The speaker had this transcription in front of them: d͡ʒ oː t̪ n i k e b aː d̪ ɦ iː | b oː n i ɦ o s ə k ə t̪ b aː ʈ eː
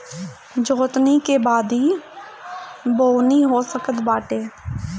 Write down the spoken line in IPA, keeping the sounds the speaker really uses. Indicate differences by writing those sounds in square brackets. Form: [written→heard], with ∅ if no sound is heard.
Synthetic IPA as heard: d͡ʒ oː t̪ n i k e b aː d̪ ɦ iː | b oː n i ɦ o s ə k ə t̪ b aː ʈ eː